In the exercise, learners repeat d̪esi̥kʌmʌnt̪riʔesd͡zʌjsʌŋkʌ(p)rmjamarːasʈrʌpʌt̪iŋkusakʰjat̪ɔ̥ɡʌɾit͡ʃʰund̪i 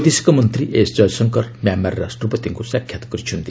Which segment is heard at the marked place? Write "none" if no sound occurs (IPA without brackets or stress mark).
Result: none